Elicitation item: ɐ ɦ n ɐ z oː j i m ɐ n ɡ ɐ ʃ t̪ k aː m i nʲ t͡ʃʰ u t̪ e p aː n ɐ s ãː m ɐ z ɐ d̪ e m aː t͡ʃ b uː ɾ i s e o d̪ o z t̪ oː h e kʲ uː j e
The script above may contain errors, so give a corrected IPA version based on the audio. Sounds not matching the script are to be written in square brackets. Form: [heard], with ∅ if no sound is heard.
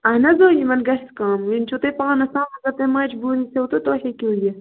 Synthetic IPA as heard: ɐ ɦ n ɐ z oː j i m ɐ n ɡ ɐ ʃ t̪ k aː m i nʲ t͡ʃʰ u t̪ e p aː n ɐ s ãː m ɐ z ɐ [t̪] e m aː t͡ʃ b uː ɾ i s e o [t̪] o [∅] t̪ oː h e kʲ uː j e